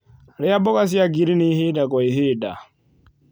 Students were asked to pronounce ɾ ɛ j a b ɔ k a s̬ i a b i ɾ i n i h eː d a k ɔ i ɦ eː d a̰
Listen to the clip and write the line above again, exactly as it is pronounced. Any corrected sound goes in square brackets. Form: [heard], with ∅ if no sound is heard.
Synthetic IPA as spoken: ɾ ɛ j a b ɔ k a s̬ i a [ɡ] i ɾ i n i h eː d a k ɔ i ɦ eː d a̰